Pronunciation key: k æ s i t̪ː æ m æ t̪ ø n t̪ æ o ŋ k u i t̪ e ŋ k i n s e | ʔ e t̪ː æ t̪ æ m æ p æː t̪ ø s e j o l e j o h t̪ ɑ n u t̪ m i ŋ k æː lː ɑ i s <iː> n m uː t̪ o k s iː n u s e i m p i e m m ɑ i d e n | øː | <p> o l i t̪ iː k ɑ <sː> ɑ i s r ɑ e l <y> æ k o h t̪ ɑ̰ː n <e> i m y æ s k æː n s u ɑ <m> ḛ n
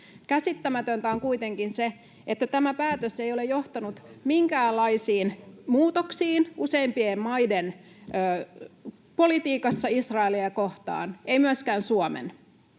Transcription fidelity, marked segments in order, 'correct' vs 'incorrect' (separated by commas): correct, correct, correct, incorrect, correct, correct